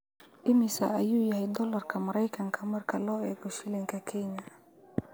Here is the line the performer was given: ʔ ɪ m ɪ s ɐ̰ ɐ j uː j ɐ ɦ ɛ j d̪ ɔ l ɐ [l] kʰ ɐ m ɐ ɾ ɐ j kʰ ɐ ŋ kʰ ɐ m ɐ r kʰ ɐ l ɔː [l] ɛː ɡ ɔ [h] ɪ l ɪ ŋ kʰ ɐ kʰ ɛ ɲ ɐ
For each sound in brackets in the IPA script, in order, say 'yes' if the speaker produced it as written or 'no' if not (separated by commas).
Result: no, no, no